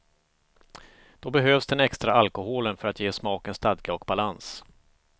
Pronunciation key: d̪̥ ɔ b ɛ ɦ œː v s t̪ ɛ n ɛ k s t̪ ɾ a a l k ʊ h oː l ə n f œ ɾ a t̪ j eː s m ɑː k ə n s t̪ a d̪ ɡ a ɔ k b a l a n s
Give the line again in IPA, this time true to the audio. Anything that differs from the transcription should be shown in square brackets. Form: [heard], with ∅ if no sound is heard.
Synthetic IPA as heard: d̪̥ ɔ b ɛ ɦ [øː] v s [d̪] ɛ n ɛ k s t̪ ɾ a a l k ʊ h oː l ə n f œ ɾ a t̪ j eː s m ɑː k ə n s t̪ a d̪ ɡ a ɔ k b a l a n s

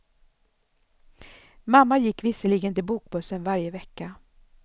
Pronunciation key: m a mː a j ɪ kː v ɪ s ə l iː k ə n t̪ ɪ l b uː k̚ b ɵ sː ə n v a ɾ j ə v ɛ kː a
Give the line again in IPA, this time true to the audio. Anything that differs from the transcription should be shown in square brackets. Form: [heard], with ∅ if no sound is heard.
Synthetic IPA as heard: m a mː a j ɪ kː v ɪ s ə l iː [ɡ] ə n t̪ ɪ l b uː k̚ b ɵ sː ə n v a ɾ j ə v ɛ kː a

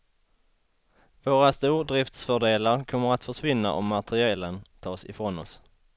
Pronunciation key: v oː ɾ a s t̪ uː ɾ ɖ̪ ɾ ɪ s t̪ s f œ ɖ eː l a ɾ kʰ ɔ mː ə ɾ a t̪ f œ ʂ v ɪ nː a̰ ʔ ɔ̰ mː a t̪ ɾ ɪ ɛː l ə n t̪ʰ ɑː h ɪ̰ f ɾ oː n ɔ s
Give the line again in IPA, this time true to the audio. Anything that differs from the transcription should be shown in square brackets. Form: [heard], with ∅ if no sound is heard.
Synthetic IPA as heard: v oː ɾ a s t̪ uː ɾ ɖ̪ ɾ ɪ [f] t̪ s f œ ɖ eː l a ɾ kʰ ɔ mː ə ɾ a t̪ f œ ʂ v ɪ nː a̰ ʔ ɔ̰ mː a t̪ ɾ ɪ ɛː l ə n t̪ʰ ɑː [s] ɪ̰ f ɾ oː n ɔ s

